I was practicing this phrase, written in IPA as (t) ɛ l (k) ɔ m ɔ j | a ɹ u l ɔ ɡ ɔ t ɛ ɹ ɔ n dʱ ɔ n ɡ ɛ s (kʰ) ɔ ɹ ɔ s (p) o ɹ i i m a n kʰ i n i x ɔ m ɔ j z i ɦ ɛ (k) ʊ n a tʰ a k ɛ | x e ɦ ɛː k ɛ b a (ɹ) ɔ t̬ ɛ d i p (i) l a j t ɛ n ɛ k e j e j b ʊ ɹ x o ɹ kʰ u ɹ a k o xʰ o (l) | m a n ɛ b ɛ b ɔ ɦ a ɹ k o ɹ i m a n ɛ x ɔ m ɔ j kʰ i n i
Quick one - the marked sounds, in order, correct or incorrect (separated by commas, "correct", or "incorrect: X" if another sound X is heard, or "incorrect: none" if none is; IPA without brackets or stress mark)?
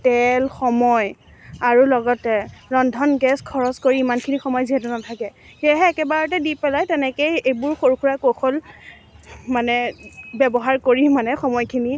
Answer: correct, incorrect: x, correct, incorrect: k, incorrect: t, correct, incorrect: ɛ, correct